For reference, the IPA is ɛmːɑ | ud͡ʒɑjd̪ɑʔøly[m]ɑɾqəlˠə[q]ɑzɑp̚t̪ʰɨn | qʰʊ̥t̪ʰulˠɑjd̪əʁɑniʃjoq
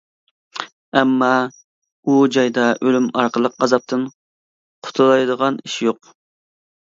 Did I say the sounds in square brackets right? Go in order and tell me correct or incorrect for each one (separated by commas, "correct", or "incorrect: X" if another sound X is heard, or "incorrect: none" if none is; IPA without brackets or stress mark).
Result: correct, correct